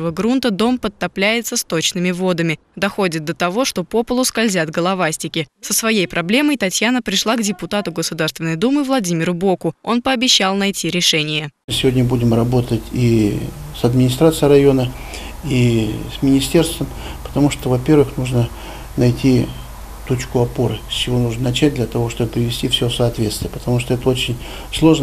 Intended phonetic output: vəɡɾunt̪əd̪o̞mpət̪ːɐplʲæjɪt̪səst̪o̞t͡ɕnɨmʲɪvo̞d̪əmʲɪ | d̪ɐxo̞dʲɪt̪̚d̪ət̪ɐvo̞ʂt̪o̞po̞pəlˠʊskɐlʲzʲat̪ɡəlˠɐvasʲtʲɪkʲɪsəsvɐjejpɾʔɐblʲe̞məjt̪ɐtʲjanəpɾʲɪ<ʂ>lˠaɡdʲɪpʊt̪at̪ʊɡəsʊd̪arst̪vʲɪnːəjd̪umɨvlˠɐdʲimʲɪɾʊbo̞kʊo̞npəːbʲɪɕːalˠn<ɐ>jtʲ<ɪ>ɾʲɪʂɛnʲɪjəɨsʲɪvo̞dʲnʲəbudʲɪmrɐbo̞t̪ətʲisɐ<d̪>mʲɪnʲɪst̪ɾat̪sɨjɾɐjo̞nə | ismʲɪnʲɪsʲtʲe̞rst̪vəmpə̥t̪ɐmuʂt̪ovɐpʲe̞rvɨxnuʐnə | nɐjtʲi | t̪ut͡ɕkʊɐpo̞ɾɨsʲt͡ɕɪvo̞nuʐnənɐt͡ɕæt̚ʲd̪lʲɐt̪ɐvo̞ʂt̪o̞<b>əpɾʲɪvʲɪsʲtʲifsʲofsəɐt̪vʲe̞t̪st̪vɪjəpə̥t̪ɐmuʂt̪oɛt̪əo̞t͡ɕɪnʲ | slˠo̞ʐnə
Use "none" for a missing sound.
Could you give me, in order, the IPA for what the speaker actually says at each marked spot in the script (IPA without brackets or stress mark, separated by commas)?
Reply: ʂ, ɐ, i, d̪, b